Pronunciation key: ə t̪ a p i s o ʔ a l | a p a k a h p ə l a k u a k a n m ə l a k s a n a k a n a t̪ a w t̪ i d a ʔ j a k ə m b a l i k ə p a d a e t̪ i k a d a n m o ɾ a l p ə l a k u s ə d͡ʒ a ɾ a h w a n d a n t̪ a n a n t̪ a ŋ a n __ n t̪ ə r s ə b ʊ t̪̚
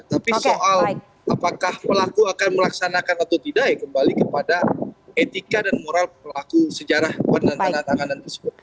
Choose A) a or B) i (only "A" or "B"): A